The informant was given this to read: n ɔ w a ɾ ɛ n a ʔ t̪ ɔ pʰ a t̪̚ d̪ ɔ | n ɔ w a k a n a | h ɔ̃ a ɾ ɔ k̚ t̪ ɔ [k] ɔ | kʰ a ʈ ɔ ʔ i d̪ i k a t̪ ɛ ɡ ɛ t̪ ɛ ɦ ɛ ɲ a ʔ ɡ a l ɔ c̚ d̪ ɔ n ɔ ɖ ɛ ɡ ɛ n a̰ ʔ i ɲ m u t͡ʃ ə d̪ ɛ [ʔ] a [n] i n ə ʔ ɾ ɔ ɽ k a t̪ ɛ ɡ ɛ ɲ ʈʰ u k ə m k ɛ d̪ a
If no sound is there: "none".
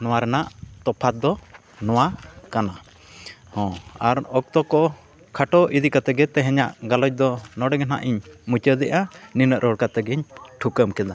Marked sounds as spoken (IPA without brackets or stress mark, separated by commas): k, ʔ, n